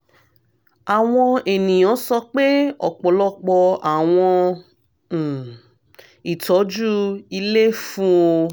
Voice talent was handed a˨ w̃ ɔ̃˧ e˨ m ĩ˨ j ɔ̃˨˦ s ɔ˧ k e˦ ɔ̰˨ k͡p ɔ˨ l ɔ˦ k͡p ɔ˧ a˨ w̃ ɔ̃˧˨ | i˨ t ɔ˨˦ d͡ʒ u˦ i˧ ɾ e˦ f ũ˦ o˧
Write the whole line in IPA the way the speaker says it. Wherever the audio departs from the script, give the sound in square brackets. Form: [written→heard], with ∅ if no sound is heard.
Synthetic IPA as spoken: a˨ w̃ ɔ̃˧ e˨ [m→n] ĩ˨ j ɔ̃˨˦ s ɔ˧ [k→k͡p] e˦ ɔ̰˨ k͡p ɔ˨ l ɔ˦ k͡p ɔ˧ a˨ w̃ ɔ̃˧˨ | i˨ t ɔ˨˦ d͡ʒ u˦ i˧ [ɾ→l] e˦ f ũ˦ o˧